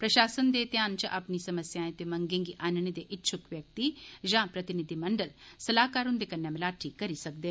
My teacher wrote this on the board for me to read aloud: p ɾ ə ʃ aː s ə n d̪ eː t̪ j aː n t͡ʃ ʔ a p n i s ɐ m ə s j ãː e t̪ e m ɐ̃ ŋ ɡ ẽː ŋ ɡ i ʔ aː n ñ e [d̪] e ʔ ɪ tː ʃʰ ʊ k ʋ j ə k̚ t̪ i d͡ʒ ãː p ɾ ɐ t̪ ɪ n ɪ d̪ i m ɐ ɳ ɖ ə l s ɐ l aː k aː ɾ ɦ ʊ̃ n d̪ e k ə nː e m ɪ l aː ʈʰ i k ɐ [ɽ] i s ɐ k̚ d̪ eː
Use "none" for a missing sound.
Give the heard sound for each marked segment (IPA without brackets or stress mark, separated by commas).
d̪, ɾ